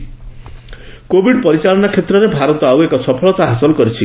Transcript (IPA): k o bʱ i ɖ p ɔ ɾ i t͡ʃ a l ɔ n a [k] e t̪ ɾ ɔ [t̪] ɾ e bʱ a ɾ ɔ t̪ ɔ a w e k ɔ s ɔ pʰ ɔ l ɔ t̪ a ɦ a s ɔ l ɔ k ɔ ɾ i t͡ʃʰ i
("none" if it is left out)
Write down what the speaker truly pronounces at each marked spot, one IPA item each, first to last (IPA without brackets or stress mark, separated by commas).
kʰ, none